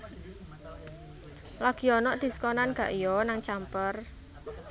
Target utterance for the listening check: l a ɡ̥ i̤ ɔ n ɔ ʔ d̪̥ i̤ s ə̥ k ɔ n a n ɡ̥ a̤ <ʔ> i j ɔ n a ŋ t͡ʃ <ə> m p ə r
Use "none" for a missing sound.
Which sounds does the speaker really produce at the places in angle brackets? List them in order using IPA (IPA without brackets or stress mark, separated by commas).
ʔ, a